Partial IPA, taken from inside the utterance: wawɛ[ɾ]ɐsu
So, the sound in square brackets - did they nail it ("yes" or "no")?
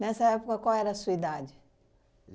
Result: yes